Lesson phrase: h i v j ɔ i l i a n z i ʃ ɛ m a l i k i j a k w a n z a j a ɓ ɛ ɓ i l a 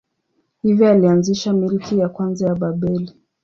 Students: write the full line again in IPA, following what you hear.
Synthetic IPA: h i v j ɔ a l i a n z i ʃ a m i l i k i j a k w a n z a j a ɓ a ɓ ɛ l i